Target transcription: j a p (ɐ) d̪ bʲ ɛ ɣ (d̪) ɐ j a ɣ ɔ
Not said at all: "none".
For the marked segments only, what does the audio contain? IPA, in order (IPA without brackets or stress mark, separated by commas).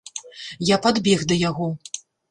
a, d̪